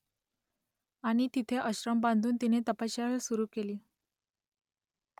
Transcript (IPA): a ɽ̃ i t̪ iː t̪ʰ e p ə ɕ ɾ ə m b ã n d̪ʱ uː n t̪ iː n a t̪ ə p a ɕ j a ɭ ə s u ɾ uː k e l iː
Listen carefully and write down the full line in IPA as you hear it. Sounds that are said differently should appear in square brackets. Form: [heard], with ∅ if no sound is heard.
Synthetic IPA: a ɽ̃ i t̪ [i] t̪ʰ e [ʔ] ə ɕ ɾ ə m b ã n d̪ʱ uː n t̪ [i] n [e] t̪ ə p a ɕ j a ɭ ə s u ɾ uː k e l iː